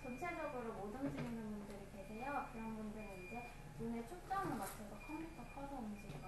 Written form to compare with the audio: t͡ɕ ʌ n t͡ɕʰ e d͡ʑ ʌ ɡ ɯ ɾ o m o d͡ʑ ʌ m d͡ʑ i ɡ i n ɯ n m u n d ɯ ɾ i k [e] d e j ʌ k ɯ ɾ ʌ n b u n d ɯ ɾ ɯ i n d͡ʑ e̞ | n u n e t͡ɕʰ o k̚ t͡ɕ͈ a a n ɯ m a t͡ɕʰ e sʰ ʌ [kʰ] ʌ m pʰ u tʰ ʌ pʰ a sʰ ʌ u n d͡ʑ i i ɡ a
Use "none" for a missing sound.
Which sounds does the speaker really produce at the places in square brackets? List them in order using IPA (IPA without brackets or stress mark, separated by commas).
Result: e, kʰ